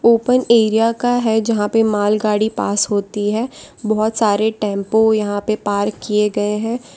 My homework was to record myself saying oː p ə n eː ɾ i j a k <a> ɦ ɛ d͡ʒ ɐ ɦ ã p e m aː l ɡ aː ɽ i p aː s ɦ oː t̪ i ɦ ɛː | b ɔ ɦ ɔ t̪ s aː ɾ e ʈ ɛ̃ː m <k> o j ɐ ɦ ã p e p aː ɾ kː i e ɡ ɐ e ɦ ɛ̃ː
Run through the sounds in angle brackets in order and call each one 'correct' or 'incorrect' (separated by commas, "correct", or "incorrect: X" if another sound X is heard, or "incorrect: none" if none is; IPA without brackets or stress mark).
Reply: correct, incorrect: p